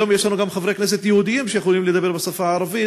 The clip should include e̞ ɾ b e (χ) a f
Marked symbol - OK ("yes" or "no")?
no